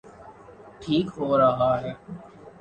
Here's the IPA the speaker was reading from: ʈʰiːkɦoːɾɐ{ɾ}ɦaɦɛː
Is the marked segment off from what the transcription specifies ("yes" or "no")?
yes